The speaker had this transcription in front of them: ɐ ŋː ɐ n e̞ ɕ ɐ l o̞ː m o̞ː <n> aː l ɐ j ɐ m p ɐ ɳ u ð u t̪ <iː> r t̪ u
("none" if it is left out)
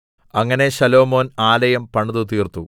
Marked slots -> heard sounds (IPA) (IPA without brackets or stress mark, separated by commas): n, iː